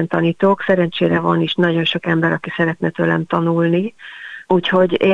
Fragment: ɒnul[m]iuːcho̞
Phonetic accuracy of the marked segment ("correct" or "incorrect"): incorrect